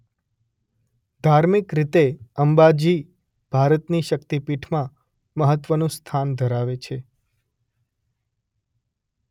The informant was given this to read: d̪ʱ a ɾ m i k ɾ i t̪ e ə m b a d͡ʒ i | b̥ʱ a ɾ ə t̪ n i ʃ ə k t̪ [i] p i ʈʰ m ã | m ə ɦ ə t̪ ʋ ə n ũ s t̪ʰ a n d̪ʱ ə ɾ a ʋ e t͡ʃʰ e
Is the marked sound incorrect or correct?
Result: correct